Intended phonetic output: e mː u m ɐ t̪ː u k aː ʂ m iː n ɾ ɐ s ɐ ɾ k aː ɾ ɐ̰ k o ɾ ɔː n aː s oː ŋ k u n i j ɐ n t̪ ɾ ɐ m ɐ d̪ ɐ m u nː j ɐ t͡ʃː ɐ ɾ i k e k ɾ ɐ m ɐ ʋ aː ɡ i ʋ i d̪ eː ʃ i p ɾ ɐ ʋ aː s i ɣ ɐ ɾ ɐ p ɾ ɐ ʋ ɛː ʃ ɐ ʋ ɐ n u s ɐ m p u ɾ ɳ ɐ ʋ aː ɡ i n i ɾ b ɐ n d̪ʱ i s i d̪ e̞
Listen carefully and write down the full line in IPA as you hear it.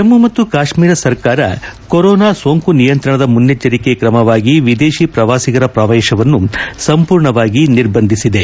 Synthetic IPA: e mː u m ɐ t̪ː u k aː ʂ m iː ɾ ɐ s ɐ ɾ k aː ɾ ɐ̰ k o ɾ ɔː n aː s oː ŋ k u n i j ɐ n t̪ ɾ ɐ ɳ ɐ d̪ ɐ m u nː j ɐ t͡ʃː ɐ ɾ i k e k ɾ ɐ m ɐ ʋ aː ɡ i ʋ i d̪ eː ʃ i p ɾ ɐ ʋ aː s i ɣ ɐ ɾ ɐ p ɾ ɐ ʋ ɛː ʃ ɐ ʋ ɐ nː u s ɐ m p uː ɾ ɳ ɐ ʋ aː ɡ i n i ɾ b ɐ n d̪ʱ i s i d̪ e̞